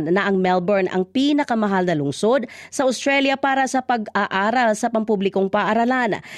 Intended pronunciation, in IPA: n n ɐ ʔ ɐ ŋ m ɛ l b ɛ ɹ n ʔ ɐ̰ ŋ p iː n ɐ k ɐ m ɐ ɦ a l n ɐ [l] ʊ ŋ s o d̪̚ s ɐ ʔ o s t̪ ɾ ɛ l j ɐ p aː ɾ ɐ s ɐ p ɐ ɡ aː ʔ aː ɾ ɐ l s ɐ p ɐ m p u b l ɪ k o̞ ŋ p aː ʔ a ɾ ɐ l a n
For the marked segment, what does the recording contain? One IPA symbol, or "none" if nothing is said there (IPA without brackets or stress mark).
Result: l